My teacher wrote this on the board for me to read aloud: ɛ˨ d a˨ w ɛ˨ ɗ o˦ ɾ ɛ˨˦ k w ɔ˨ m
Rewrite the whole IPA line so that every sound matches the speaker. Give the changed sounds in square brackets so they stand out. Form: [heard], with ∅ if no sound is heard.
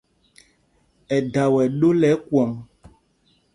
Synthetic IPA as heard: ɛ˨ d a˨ w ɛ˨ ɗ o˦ [l] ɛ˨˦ k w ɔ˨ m